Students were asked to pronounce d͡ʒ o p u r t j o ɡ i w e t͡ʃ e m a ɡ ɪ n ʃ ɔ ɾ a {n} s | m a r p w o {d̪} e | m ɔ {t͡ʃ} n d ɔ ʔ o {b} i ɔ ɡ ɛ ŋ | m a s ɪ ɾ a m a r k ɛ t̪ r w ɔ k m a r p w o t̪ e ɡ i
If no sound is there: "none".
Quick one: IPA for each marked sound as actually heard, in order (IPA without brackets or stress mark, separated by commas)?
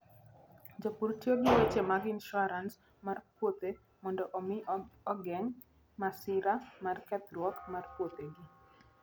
n, t̪, none, m